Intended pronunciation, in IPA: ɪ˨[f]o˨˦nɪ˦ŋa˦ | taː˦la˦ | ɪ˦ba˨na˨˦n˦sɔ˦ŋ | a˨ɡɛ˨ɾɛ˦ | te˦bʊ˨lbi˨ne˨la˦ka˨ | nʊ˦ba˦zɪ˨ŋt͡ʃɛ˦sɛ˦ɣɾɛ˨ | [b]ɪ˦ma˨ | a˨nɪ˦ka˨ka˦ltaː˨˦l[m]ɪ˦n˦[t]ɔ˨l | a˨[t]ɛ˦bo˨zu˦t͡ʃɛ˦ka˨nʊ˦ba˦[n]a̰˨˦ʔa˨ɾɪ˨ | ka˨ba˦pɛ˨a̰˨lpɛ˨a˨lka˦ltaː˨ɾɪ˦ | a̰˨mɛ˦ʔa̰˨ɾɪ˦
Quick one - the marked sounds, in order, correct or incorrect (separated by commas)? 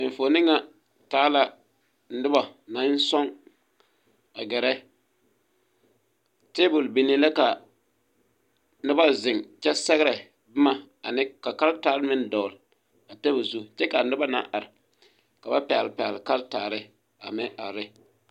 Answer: correct, correct, correct, incorrect, correct, correct